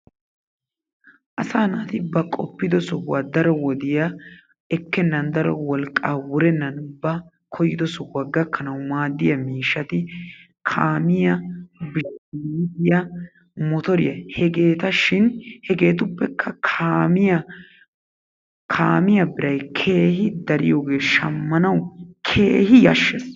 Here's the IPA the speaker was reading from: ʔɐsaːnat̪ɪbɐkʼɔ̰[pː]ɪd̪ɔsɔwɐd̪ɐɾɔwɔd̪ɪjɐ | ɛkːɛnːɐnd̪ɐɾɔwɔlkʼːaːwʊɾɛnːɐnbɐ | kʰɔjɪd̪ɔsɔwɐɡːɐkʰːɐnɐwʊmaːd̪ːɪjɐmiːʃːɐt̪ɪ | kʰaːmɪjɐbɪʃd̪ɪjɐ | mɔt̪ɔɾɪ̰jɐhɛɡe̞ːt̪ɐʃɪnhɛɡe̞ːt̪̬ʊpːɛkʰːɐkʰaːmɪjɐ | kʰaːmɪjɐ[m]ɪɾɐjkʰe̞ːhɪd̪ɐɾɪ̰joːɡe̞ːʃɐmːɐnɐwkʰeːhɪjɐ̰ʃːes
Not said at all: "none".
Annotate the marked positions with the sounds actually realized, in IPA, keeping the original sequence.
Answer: pː, b

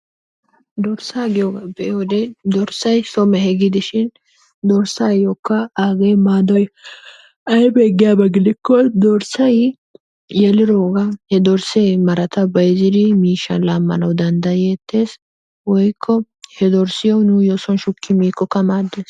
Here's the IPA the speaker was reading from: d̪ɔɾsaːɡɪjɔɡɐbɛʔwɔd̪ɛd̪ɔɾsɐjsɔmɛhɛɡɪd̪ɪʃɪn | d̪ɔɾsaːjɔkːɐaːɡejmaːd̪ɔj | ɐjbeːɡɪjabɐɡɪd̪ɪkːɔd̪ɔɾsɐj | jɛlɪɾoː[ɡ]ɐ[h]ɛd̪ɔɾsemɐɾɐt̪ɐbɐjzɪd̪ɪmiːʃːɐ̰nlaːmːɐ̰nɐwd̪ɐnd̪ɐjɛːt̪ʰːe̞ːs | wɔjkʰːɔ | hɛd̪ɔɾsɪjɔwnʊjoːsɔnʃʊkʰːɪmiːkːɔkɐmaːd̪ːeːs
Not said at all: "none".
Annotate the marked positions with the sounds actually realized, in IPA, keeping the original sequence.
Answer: ɡ, h

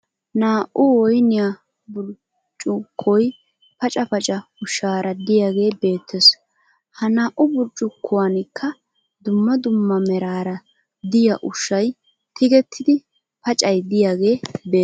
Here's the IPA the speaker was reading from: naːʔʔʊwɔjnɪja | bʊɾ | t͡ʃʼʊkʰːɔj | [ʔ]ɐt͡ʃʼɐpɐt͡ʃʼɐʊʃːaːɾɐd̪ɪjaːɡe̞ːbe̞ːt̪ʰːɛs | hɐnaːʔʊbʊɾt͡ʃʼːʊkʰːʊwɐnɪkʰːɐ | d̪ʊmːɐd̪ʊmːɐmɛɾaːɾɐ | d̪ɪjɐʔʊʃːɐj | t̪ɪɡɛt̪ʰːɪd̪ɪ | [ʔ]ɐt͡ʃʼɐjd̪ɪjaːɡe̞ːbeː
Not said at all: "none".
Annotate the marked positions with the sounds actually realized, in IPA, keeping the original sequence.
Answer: p, p

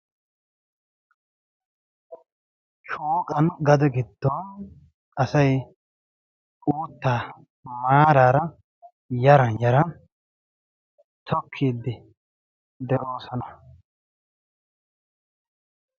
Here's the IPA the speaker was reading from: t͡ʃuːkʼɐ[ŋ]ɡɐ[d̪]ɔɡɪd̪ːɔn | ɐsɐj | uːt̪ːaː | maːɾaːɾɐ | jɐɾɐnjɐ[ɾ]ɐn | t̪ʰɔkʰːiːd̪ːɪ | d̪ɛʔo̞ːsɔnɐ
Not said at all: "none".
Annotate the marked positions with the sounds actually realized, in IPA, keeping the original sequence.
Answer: n, d̪, ɾ

